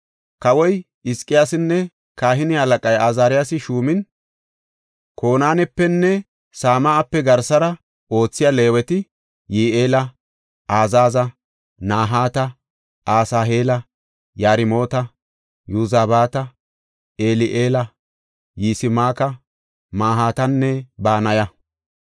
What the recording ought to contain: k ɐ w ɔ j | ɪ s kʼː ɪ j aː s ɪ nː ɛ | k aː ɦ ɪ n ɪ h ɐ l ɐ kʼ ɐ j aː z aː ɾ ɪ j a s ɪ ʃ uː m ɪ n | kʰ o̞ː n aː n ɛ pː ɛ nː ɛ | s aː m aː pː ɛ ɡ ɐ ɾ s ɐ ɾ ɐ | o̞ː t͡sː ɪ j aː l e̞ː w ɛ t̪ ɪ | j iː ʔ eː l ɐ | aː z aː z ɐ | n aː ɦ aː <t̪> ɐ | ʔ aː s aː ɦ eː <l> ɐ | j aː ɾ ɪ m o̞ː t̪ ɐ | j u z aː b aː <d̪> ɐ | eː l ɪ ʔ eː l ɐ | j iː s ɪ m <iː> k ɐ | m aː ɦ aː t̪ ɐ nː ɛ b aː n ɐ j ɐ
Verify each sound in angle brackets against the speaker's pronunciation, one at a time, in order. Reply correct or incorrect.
correct, correct, incorrect: t̪, incorrect: aː

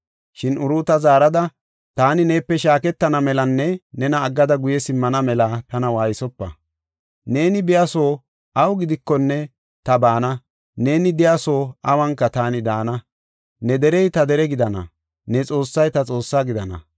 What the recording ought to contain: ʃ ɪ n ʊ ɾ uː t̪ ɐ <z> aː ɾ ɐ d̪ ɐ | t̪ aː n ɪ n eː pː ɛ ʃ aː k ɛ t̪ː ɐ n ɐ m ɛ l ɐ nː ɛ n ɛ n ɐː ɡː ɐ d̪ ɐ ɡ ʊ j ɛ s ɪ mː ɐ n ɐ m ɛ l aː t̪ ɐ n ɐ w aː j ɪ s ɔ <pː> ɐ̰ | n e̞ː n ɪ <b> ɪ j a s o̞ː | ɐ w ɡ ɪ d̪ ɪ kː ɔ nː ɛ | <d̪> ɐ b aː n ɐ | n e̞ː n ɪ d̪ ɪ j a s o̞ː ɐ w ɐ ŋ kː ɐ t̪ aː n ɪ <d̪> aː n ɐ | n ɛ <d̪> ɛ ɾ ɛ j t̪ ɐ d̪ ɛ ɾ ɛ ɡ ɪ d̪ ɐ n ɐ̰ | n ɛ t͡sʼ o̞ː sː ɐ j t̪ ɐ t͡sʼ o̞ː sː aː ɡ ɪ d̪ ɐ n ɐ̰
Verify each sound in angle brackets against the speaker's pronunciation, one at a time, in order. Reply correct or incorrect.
correct, correct, correct, incorrect: t̪, correct, correct

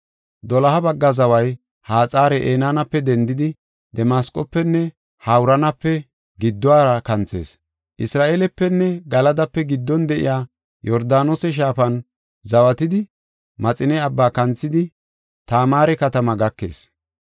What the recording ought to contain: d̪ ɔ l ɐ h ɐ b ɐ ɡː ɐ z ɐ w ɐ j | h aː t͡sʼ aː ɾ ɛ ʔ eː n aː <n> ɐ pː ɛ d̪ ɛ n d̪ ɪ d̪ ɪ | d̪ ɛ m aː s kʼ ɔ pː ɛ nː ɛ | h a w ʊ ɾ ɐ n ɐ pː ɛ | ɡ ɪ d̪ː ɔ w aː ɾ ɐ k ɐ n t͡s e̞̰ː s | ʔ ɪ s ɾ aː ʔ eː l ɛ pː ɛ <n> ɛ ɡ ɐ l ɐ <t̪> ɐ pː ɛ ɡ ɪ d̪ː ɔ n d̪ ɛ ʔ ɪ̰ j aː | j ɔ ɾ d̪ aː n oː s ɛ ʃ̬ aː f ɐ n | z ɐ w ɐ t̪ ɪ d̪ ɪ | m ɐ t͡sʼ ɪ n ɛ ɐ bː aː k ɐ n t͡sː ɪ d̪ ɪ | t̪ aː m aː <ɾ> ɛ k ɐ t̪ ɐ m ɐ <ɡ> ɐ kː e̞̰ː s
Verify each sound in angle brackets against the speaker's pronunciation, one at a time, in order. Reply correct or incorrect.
correct, incorrect: nː, incorrect: d̪, correct, correct

